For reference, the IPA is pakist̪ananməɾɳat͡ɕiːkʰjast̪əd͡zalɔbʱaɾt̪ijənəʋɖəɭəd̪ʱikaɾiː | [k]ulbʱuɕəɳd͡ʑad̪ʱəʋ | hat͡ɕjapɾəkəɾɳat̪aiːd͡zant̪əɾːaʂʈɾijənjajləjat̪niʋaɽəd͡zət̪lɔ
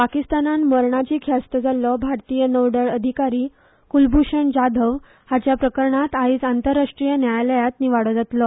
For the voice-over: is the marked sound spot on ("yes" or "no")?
yes